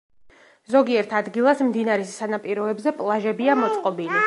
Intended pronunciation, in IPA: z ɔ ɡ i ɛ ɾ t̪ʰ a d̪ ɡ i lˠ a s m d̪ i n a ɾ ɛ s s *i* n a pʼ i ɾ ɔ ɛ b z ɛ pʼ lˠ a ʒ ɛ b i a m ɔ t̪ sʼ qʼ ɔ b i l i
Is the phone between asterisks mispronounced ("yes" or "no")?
yes